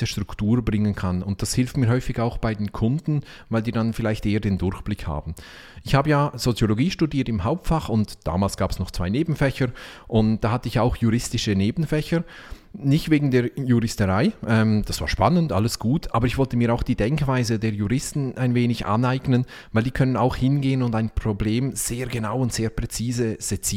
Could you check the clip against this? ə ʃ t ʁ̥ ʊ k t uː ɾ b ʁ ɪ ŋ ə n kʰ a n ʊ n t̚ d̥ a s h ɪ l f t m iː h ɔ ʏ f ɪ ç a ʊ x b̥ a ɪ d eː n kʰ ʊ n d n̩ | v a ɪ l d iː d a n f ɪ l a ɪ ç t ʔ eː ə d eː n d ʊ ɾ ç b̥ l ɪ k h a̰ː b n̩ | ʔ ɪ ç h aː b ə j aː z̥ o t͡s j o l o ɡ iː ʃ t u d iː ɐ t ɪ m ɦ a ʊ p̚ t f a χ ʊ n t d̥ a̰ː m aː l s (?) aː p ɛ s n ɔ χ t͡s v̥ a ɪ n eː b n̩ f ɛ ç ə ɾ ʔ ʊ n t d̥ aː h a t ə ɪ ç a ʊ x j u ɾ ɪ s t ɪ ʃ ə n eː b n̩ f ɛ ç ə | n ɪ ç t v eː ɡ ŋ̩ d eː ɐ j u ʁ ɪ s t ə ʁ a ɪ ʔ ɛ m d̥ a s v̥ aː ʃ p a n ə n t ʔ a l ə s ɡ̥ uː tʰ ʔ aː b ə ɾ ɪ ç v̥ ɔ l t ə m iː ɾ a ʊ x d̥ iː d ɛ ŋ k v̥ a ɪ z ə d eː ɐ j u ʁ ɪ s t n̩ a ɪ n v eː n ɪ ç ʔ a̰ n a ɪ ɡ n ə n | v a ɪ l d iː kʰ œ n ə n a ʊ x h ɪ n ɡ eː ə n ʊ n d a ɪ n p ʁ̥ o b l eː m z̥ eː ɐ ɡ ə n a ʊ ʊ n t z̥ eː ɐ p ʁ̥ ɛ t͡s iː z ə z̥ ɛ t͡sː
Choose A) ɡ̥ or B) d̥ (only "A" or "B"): A